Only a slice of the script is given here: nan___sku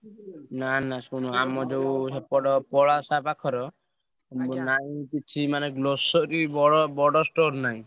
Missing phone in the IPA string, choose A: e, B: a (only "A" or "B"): B